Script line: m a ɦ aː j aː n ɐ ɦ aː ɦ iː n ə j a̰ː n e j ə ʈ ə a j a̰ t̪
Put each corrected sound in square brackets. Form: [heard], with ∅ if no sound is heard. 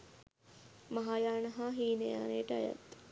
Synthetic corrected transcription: m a ɦ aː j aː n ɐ ɦ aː ɦ iː n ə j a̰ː n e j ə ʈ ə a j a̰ t̪